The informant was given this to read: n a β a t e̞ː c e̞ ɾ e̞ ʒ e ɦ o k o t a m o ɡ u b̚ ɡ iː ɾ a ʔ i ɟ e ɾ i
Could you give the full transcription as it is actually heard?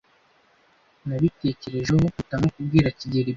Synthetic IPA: n a β i t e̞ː c e̞ ɾ e̞ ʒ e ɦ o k u t a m o k u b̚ ɡ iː ɾ a c i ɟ e ɾ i

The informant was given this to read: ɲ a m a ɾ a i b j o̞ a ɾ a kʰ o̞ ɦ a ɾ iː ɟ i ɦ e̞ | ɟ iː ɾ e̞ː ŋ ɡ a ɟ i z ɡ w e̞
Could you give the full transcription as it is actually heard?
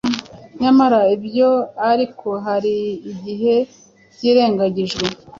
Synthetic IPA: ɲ a m a ɾ a i b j o̞ a ɾ i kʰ o̞ ɦ a ɾ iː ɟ i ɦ e̞ | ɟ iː ɾ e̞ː ŋ ɡ a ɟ i ʒ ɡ w e̞

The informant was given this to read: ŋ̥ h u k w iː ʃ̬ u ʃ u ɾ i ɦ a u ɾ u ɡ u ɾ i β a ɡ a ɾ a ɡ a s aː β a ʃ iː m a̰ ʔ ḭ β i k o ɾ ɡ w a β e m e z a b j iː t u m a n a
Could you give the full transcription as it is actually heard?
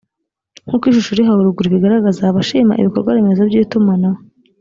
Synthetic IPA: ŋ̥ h u k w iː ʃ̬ u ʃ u ɾ i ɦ a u ɾ u ɡ u ɾ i β i ɡ a ɾ a ɡ a z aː β a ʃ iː m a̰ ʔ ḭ β i k o ɾ ɡ w a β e m e z a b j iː t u m a n a

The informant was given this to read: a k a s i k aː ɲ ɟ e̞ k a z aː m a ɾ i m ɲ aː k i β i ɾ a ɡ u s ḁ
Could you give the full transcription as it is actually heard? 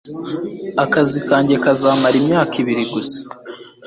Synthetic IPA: a k a z i k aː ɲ ɟ e̞ k a z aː m a ɾ i m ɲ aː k i β i ɾ i ɡ u s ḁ

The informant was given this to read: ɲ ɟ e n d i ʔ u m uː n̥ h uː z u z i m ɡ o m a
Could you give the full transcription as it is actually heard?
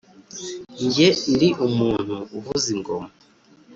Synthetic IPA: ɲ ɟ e n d i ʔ u m uː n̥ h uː v u z i ŋ ɡ o m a

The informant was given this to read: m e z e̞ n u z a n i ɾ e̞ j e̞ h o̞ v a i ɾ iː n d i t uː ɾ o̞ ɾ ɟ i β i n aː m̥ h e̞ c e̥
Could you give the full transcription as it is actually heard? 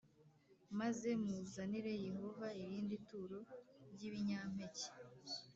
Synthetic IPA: m a z e̞ m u z a n i ɾ e̞ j e̞ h o̞ v a i ɾ iː n d i t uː ɾ o̞ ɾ ɟ i β i ɲ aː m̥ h e̞ c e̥

